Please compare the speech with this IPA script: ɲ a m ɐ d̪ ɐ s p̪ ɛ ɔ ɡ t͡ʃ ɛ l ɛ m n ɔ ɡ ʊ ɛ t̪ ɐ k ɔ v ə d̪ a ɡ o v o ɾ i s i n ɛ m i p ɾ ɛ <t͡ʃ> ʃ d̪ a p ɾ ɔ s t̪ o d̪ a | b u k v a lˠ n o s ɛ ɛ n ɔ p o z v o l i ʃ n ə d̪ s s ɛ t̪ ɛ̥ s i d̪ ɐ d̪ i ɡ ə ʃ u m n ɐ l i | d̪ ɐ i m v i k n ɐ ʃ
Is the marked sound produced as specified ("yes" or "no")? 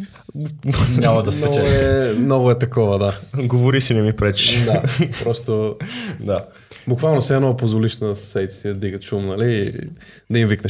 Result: yes